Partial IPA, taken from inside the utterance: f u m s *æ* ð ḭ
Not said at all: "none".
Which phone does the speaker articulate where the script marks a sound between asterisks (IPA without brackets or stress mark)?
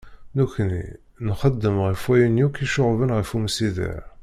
i